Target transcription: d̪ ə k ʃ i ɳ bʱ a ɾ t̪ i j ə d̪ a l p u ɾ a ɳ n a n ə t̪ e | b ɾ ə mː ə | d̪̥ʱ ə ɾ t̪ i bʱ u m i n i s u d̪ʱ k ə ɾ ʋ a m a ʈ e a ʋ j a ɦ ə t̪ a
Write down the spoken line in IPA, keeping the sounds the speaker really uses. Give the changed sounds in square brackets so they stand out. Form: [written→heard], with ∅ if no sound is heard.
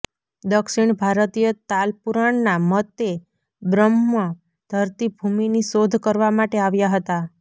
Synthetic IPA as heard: d̪ ə k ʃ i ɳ bʱ a ɾ t̪ i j ə [d̪→t̪] a l p u ɾ a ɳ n a [n→m] ə t̪ e | b ɾ ə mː ə | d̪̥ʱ ə ɾ t̪ i bʱ u m i n i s [u→o] d̪ʱ k ə ɾ ʋ a m a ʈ e a ʋ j a ɦ ə t̪ a